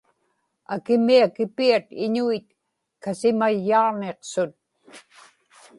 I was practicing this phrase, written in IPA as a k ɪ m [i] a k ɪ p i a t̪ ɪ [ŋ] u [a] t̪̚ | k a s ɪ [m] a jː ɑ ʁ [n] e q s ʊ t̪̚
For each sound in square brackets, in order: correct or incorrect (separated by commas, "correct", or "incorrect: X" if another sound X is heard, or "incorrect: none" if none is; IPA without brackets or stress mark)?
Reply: correct, incorrect: ɲ, incorrect: i, correct, correct